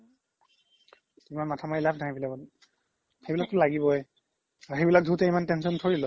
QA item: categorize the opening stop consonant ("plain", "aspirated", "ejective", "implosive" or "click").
aspirated